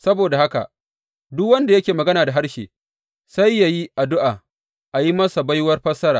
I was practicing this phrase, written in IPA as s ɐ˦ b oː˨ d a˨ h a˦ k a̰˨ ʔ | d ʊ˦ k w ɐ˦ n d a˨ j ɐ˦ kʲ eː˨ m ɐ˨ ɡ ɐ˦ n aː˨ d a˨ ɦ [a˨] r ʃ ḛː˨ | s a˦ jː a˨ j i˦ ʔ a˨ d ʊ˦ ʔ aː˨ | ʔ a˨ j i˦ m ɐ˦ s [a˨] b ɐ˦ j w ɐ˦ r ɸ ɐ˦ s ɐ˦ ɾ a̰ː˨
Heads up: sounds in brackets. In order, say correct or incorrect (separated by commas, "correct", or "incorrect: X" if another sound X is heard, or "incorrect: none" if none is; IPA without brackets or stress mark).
incorrect: a˦, correct